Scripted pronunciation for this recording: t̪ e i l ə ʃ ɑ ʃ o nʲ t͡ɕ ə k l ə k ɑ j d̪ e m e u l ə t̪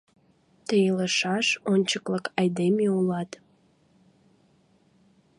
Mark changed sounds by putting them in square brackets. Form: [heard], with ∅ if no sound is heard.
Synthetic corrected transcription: t̪ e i l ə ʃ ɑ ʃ o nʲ t͡ɕ ə k l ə k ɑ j d̪ e m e u l [ɑ] t̪